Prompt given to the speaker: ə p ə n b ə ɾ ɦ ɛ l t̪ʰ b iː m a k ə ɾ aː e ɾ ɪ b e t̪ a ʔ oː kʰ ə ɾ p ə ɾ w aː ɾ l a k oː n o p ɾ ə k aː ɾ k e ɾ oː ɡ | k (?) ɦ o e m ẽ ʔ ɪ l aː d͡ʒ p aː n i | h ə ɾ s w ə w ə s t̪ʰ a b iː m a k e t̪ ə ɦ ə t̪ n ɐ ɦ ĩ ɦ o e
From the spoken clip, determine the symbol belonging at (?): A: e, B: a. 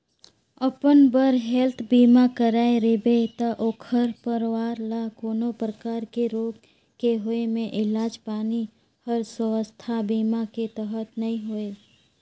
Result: A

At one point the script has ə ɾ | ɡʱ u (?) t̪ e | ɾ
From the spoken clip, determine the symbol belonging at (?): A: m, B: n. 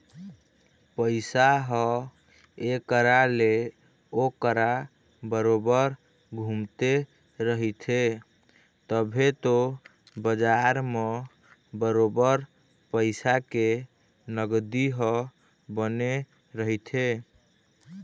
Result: A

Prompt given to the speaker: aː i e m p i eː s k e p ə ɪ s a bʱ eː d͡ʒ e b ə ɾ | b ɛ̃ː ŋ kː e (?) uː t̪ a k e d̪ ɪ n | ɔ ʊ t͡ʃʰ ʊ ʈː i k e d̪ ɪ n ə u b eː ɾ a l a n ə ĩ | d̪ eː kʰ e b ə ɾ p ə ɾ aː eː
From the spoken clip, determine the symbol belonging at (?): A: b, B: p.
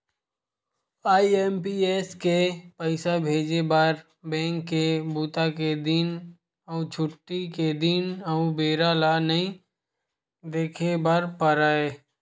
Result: A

